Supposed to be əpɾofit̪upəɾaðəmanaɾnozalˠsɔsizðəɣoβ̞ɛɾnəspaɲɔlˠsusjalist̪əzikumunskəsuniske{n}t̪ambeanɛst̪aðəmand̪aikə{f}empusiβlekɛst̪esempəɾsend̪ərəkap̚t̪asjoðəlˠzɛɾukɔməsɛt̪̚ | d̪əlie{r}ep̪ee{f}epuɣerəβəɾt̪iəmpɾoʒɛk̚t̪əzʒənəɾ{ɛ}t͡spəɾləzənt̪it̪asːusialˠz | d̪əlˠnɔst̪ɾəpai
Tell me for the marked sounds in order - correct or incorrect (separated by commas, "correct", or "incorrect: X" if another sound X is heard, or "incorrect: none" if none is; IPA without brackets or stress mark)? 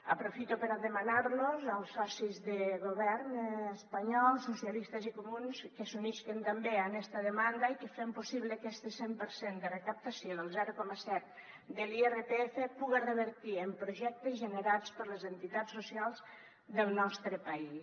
correct, correct, correct, correct, incorrect: a